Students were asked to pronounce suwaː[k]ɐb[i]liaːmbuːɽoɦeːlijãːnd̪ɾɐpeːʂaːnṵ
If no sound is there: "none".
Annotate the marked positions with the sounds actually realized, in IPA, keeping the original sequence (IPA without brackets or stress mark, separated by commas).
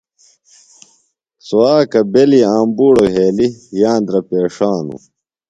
k, e